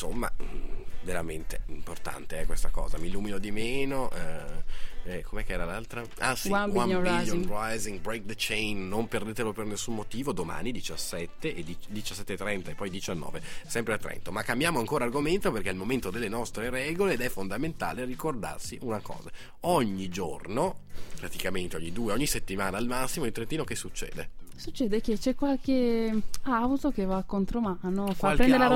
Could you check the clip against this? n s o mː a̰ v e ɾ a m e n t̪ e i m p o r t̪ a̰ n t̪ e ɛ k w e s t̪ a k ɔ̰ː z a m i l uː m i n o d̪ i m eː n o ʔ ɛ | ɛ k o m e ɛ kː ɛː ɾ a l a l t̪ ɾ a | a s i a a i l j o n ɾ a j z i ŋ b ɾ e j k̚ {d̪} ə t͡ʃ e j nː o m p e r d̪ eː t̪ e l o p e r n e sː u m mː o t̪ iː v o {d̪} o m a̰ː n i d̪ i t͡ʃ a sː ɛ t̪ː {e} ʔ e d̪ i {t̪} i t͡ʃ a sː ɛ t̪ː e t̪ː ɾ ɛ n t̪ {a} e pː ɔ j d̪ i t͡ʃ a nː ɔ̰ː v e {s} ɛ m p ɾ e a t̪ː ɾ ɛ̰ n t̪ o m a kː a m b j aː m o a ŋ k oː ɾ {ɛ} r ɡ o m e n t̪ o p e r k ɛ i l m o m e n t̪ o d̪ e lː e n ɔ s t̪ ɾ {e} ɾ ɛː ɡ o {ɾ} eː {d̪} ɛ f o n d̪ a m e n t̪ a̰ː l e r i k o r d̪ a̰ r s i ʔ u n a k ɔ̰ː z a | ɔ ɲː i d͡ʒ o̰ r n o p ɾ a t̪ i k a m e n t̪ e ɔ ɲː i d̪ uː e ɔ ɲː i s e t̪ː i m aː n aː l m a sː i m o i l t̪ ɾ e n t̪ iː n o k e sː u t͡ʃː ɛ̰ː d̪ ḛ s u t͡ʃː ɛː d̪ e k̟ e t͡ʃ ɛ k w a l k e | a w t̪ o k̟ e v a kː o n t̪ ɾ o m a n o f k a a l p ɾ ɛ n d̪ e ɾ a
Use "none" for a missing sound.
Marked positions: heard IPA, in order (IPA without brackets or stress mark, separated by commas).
d̪, d̪, e, d̪, a, s, a, e, l, d̪